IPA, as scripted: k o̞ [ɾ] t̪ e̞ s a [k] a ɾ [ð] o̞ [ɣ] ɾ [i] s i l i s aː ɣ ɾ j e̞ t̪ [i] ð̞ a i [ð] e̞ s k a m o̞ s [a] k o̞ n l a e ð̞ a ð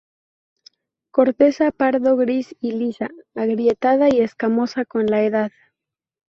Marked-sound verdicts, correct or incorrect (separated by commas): correct, incorrect, correct, correct, correct, incorrect, incorrect, correct